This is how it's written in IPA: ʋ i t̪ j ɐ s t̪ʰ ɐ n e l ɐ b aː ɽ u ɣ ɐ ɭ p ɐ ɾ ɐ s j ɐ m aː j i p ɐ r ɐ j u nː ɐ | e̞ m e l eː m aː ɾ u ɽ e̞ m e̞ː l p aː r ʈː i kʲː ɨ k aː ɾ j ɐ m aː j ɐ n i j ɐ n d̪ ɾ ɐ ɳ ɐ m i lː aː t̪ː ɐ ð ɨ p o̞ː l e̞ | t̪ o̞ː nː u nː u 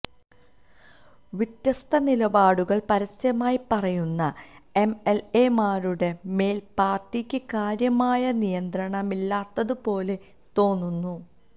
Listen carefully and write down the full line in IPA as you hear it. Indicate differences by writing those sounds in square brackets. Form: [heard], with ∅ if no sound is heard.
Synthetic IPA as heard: ʋ i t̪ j ɐ s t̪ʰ ɐ n [i] l ɐ b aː ɽ u ɣ ɐ ɭ p ɐ ɾ ɐ s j ɐ m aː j i p ɐ r ɐ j u nː ɐ | e̞ m e l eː m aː ɾ u ɽ e̞ m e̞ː l p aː r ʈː i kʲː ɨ k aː ɾ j ɐ m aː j ɐ n i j ɐ n d̪ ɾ ɐ ɳ ɐ m i lː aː t̪ː ɐ ð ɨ p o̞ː l e̞ | t̪ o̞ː nː u nː u